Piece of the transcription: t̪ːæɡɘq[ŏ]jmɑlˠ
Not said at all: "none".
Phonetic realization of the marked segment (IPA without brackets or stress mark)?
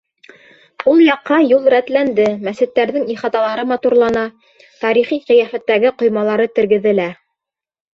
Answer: ŏ